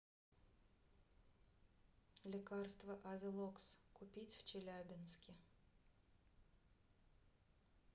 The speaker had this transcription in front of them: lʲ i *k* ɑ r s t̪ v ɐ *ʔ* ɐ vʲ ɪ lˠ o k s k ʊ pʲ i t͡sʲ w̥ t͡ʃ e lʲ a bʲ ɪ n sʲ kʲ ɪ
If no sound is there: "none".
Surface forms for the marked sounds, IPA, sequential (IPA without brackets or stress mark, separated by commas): k, ʔ